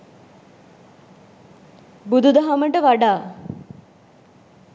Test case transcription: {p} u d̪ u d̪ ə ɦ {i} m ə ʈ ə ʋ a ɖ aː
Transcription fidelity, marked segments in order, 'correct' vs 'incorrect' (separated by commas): incorrect, incorrect